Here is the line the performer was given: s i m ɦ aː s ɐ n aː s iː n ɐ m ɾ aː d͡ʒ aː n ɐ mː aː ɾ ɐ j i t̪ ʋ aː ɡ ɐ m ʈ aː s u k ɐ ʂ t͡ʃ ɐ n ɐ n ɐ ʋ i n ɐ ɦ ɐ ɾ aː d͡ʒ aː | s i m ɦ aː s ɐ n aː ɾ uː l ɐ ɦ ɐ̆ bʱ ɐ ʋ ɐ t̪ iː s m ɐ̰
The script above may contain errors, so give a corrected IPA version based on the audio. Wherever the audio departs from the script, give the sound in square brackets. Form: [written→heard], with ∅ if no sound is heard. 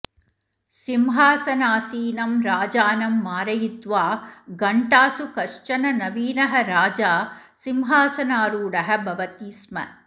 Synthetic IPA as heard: s i m ɦ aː s ɐ n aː s iː n ɐ m ɾ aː d͡ʒ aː n ɐ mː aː ɾ ɐ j i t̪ ʋ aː ɡ ɐ [m→ɳ] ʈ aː s u k ɐ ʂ t͡ʃ ɐ n ɐ n ɐ ʋ [i→iː] n ɐ ɦ ɐ ɾ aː d͡ʒ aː | s i m ɦ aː s ɐ n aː ɾ uː [l→ɽ] ɐ ɦ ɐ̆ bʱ ɐ ʋ ɐ t̪ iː s m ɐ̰